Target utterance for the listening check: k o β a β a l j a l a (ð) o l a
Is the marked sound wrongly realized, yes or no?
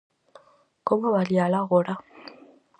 yes